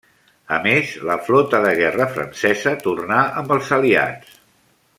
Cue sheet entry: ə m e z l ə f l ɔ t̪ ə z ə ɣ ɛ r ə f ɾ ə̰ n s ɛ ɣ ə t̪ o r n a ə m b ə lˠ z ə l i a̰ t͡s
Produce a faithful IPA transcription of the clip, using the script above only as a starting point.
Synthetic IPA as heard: ə m e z l ə f l ɔ t̪ ə ð ə ɣ ɛ r ə f ɾ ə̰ n s ɛ z ə t̪ u r n a ə m b ə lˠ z ə l i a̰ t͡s